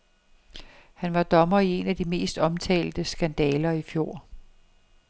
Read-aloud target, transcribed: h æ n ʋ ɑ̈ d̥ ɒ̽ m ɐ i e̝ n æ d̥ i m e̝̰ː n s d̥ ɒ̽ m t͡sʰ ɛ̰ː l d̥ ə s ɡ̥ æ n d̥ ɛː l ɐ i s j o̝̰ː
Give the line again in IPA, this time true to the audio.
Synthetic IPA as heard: h æ n ʋ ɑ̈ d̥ ɒ̽ m ɐ i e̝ n æ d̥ i m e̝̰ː s d̥ ɒ̽ m t͡sʰ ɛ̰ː l d̥ ə s ɡ̥ æ n d̥ ɛː l ɐ i f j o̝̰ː